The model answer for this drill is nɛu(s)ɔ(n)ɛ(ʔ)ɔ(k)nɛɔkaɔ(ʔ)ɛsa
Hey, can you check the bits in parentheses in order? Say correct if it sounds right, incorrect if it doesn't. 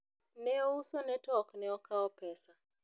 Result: correct, correct, incorrect, correct, incorrect

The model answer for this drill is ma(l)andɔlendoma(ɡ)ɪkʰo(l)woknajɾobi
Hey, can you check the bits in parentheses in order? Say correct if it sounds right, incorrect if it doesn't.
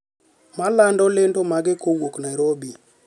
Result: correct, correct, incorrect

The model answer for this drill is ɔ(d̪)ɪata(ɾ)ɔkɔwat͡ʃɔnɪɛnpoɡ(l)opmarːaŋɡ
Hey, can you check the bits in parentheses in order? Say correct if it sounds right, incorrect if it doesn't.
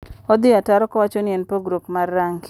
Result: correct, correct, incorrect

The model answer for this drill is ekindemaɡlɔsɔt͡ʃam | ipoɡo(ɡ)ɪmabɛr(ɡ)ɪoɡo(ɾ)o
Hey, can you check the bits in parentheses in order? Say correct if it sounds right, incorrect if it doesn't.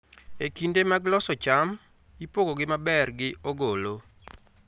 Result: correct, correct, incorrect

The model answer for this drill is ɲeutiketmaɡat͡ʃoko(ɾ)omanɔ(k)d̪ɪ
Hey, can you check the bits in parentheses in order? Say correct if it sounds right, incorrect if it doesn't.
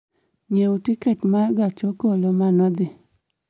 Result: incorrect, incorrect

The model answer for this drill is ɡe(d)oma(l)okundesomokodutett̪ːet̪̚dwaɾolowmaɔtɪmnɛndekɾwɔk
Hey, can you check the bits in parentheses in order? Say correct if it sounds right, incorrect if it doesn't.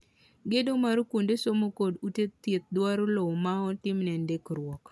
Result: correct, incorrect

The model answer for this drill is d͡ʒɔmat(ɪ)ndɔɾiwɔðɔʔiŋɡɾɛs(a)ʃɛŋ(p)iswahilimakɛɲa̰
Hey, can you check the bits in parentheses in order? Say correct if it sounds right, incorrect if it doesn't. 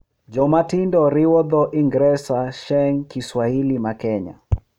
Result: incorrect, correct, incorrect

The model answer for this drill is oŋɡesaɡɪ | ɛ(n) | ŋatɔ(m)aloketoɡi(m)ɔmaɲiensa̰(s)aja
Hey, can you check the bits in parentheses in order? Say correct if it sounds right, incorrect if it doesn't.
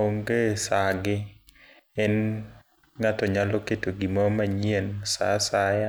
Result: correct, incorrect, correct, correct

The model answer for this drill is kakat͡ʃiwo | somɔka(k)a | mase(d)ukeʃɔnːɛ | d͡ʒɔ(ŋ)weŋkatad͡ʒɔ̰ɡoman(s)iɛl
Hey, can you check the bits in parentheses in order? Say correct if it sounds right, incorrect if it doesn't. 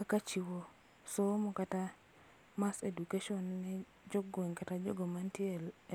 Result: incorrect, correct, incorrect, incorrect

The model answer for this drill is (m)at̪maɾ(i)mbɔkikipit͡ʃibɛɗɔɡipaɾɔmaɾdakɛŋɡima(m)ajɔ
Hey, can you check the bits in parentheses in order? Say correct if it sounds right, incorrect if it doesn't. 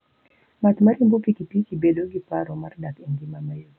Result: correct, correct, correct

